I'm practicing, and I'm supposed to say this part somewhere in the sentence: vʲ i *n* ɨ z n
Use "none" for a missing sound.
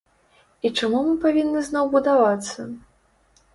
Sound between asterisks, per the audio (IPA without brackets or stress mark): nː